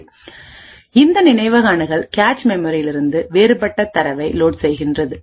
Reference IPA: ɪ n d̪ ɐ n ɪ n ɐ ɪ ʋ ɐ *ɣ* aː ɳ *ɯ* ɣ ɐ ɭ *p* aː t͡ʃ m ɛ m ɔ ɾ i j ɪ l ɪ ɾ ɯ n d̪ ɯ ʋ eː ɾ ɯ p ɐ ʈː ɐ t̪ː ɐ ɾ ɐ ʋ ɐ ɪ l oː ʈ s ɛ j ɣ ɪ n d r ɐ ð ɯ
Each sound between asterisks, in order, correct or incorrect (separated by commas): correct, correct, incorrect